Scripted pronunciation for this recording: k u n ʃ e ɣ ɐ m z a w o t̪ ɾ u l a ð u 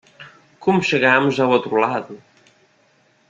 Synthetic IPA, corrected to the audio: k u m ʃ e ɣ a m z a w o t̪ ɾ u l a ð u